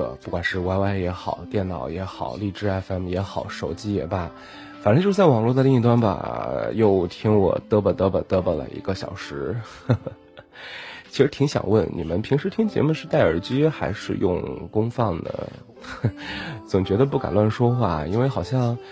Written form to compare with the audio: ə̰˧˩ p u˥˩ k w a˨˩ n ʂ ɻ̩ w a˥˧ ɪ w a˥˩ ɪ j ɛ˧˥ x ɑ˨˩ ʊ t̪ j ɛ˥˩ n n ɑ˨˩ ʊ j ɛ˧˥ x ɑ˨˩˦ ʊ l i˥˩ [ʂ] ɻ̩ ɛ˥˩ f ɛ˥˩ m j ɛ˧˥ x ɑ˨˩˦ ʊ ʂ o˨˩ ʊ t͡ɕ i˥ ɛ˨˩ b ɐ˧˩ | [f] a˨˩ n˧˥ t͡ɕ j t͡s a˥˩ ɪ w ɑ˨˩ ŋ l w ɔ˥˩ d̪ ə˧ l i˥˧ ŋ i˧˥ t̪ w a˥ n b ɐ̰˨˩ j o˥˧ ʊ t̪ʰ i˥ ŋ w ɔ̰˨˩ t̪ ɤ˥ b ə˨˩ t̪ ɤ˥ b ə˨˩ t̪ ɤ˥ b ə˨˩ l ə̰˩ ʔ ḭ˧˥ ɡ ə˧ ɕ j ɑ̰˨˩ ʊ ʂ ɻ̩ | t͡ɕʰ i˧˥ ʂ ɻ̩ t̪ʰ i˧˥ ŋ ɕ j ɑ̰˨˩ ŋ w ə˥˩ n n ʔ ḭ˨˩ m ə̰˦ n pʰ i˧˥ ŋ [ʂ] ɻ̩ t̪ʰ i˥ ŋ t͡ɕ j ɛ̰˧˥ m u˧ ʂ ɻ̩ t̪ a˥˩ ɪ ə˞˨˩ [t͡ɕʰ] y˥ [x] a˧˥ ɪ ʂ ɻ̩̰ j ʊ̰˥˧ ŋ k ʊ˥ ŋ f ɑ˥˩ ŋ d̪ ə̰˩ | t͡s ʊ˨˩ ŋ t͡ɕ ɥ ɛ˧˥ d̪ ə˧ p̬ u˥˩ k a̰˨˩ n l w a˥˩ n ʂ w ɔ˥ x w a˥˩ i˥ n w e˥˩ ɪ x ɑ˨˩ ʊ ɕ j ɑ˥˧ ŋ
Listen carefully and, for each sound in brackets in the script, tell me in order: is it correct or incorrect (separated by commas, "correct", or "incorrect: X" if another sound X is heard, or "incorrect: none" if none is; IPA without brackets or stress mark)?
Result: incorrect: ʈ͡ʂ, correct, correct, incorrect: t͡ɕ, correct